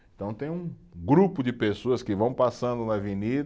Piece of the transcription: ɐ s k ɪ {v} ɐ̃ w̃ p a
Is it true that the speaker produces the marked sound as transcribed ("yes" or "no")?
yes